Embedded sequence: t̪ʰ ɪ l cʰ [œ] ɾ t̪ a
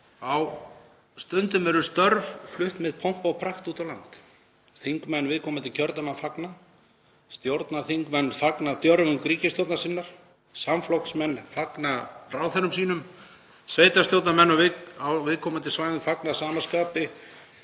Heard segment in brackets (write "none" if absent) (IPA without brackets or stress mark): œ